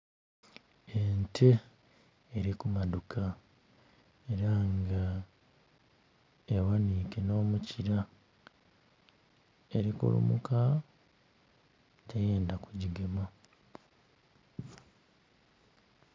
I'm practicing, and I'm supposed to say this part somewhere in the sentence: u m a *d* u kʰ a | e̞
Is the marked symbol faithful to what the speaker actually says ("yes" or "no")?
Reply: yes